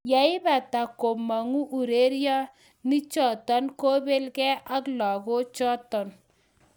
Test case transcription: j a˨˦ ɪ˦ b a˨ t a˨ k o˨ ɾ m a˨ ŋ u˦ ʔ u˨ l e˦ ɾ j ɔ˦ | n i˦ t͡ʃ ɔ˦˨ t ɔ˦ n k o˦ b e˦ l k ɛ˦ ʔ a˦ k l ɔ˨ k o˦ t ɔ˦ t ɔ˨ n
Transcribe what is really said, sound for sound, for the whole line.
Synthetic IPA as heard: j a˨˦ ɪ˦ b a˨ t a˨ k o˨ m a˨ ŋ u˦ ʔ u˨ ɾ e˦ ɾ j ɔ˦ | n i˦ t͡ʃ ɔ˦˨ t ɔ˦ n k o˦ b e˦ l k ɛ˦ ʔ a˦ k l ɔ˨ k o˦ t͡ʃ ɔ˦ t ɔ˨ n